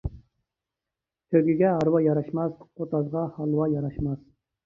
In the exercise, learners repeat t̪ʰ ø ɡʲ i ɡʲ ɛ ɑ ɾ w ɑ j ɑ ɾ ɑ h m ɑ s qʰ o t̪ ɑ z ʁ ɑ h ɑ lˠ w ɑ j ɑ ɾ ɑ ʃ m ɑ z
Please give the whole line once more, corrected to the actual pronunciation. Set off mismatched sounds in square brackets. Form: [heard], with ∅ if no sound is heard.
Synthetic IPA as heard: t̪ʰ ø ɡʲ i ɡʲ ɛ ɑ ɾ w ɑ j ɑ ɾ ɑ [ʃ] m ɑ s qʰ o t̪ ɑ z ʁ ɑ h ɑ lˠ w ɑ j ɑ ɾ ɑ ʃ m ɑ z